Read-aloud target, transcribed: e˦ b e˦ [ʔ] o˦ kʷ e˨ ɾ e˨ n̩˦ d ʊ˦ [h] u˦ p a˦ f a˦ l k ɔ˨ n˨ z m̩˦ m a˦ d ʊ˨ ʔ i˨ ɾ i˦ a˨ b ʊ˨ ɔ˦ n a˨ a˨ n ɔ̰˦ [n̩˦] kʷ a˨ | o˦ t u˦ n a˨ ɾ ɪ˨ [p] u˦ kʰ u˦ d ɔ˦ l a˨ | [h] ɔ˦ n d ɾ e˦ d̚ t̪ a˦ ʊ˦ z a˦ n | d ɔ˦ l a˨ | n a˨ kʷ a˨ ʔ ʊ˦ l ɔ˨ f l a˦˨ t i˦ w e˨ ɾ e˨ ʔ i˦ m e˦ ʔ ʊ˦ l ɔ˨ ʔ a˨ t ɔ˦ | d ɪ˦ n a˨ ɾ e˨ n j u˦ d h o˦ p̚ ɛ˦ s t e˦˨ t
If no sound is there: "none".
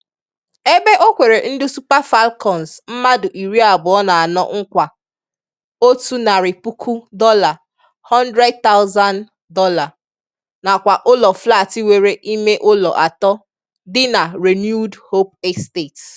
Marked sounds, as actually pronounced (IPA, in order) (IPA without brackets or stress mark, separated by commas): ʔ, s, ŋ̩˦, p, h